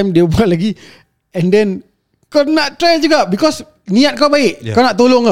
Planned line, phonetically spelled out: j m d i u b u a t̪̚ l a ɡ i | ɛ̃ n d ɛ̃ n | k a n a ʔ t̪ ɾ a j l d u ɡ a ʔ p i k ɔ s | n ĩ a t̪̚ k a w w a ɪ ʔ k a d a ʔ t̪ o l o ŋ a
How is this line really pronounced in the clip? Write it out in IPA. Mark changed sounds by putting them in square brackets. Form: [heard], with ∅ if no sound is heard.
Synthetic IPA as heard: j m d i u b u a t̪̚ l a ɡ i | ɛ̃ n d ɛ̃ n | k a n a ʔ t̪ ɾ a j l [d͡ʒ] u ɡ a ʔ [b] i k ɔ s | n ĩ a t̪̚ k a w [b] a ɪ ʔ k a [n] a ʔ t̪ o l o ŋ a